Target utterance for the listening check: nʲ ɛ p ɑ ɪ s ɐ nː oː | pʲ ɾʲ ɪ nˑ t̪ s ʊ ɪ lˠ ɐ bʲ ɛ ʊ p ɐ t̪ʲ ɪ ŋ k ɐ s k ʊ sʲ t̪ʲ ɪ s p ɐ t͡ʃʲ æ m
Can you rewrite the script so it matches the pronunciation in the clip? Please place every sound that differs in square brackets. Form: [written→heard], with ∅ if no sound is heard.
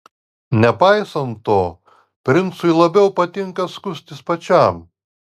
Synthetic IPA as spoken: nʲ ɛ p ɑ ɪ s ɐ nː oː | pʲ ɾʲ ɪ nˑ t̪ s ʊ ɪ lˠ ɐ bʲ ɛ ʊ p ɐ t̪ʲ ɪ ŋ k ɐ s k ʊ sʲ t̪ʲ ɪ s p ɐ t͡ʃʲ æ m